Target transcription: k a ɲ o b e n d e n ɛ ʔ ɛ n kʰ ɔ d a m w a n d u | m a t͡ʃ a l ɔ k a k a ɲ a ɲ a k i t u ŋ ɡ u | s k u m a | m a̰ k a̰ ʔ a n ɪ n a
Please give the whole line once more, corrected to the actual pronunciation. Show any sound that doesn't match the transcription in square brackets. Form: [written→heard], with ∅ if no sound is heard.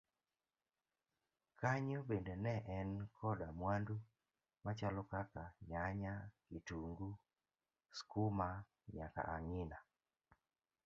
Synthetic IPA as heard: k a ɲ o b e n d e n ɛ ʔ ɛ n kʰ ɔ d a m w a n d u | m a t͡ʃ a l ɔ k a k a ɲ a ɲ a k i t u ŋ ɡ u | s k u m a | [m→ɲ] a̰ k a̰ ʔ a [n→ŋ] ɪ n a